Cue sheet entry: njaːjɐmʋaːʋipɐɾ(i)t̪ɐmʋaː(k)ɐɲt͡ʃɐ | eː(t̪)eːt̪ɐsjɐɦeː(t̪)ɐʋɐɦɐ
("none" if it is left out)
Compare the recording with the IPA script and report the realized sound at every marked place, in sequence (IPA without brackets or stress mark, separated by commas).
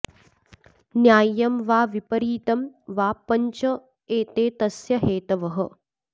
iː, p, t̪, t̪